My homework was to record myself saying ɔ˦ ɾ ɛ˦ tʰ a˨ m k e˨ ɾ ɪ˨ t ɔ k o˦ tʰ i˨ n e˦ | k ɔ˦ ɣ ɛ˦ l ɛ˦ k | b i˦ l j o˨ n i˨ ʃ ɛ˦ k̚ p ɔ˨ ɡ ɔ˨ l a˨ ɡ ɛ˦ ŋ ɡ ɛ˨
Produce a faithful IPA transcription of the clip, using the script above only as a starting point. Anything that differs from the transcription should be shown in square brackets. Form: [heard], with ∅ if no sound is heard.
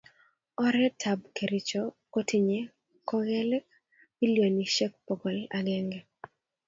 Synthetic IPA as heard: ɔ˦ ɾ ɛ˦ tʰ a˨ [b] k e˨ ɾ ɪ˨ [t͡ʃ] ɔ k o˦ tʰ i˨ [ɲ] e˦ | k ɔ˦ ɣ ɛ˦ l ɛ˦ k | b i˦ l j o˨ n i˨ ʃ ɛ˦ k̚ p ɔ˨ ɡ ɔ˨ l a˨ ɡ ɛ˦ ŋ ɡ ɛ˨